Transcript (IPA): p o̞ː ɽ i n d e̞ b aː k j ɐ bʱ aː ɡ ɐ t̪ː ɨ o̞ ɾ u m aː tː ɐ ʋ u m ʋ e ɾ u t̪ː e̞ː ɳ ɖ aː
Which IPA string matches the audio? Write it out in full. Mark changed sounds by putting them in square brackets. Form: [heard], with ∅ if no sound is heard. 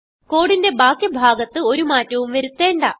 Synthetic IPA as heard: [k] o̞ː ɽ i n d e̞ b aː k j ɐ bʱ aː ɡ ɐ t̪ː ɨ o̞ ɾ u m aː tː ɐ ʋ u m ʋ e ɾ u t̪ː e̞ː ɳ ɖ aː